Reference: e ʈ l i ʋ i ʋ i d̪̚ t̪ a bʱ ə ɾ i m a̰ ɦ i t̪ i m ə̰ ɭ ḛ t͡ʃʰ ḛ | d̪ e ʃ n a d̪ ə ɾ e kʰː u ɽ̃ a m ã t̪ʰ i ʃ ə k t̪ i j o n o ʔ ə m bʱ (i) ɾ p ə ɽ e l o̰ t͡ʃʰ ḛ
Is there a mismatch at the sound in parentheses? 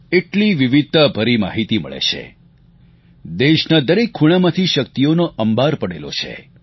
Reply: yes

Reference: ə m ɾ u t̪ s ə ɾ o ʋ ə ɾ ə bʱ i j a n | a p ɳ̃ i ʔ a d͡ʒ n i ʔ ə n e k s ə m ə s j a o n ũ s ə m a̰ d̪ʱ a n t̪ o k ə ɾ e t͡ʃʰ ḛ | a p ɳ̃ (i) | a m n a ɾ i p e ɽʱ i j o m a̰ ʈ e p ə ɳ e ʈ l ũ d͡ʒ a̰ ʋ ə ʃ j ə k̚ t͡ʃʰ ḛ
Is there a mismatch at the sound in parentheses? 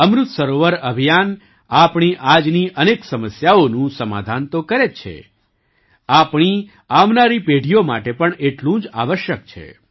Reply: no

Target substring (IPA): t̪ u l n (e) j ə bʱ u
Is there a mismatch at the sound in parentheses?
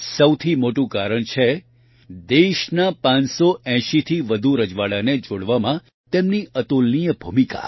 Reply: yes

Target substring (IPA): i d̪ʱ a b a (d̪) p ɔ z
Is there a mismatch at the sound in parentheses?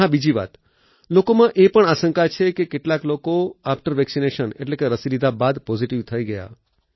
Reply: no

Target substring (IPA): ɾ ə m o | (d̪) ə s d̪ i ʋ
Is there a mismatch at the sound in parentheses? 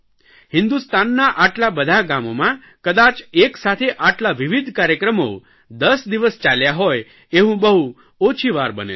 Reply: no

